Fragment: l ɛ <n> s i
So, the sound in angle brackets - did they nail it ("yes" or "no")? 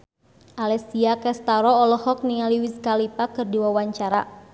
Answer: no